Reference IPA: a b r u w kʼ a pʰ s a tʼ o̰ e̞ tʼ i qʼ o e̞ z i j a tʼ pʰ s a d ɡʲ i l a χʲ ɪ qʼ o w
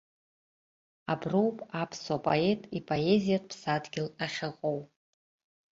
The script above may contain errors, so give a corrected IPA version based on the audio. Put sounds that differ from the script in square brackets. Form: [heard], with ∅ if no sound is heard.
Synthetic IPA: a b r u w [pʼ] a pʰ s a [pʼ] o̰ e̞ tʼ i [pʼ] o e̞ z i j a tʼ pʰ s a d ɡʲ [ɪ] l a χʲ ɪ qʼ o w